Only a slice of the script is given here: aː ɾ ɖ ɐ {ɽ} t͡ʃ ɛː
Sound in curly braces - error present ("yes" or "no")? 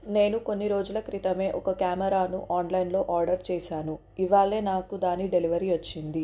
yes